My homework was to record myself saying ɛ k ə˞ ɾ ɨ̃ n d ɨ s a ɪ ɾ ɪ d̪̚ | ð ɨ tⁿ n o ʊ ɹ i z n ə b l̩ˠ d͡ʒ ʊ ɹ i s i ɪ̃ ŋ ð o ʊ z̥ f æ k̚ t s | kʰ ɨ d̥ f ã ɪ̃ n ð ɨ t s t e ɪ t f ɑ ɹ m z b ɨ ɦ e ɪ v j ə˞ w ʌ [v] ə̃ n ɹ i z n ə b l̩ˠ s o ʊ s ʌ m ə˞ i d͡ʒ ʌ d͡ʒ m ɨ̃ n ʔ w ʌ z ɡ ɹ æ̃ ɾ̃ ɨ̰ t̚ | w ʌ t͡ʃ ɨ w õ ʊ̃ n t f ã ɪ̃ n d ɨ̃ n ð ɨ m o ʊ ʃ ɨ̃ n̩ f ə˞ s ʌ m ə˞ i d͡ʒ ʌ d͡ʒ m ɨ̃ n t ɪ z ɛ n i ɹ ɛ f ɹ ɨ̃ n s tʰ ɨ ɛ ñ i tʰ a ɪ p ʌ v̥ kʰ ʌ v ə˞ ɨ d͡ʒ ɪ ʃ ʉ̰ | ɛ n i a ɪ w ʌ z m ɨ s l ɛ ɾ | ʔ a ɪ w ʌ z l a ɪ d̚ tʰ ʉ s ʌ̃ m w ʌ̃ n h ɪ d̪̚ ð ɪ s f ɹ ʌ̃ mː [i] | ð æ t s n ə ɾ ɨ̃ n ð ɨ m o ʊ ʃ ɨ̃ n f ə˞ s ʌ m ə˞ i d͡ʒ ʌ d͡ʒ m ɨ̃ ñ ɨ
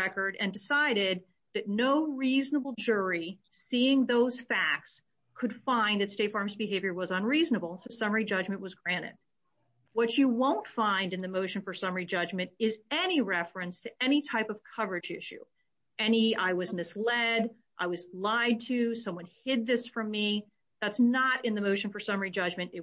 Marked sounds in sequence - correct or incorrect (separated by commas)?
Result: incorrect, correct